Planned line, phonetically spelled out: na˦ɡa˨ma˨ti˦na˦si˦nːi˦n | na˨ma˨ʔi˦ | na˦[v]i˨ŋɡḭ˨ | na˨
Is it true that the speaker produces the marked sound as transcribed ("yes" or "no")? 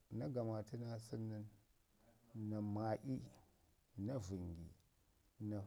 yes